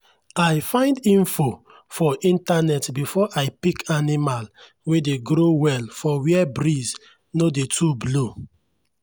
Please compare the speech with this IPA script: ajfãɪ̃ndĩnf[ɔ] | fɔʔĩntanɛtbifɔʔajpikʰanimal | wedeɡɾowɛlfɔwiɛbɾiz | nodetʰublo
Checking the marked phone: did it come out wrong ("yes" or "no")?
yes